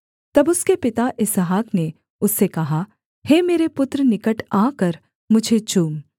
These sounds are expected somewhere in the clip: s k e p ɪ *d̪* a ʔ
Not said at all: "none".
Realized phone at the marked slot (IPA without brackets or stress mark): t̪